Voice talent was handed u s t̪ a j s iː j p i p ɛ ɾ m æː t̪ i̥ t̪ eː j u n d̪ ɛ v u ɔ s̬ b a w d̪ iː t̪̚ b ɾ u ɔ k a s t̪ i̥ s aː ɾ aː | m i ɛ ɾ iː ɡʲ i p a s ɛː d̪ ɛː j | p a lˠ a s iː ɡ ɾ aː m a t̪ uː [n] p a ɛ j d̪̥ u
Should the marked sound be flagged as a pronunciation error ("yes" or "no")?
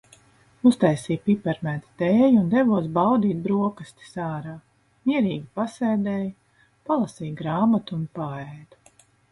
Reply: no